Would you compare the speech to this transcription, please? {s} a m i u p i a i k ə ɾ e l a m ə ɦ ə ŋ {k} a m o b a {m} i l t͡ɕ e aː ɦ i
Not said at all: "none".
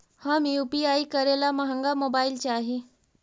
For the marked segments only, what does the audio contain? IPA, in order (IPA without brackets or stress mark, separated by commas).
h, ɡ, none